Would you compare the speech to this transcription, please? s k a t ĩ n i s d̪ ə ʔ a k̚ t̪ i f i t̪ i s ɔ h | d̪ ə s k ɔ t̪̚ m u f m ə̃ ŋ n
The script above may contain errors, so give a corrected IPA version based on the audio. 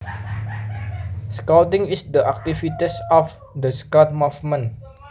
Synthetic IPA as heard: s k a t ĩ ŋ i s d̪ ə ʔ a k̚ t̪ i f i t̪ i s ɔ f | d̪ ə s k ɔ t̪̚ m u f m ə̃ n